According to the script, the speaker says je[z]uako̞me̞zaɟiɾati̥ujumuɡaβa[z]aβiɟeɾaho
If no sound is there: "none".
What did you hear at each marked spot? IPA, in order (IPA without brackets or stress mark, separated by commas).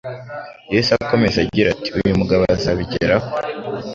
s, z